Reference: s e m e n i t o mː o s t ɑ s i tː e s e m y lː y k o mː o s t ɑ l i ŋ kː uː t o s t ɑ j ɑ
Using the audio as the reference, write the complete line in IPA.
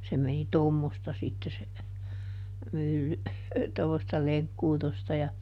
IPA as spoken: s e m e n i t o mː o s t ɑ s i tː e s e m y lː y t o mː o s t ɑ l e ŋ kː uː t o s t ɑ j ɑ